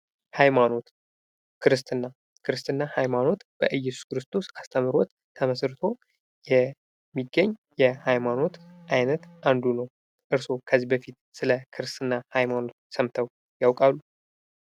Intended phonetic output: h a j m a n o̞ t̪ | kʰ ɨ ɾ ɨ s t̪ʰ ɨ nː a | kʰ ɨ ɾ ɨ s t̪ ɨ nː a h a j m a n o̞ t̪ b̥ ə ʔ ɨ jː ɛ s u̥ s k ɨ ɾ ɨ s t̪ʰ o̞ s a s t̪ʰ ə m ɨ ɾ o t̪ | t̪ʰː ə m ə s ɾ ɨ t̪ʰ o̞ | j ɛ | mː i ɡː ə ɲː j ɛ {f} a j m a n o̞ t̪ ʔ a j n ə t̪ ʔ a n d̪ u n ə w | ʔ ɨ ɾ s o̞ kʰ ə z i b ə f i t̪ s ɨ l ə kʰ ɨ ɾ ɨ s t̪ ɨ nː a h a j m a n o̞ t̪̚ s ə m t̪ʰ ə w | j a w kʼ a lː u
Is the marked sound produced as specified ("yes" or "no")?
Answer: no